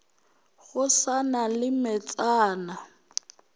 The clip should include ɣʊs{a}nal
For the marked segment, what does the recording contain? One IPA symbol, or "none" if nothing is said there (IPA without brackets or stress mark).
a